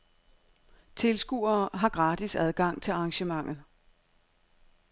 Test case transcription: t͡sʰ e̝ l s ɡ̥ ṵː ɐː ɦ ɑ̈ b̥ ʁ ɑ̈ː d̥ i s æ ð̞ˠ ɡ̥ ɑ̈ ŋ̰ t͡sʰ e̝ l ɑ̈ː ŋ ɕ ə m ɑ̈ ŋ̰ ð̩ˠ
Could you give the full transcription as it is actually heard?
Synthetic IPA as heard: t͡sʰ e̝ l s ɡ̥ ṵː ɐː ɦ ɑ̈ ɡ̥ ʁ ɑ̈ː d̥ i s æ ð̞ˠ ɡ̥ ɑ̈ ŋ̰ t͡sʰ e̝ l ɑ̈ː ŋ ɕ ə m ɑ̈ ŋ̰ ð̩ˠ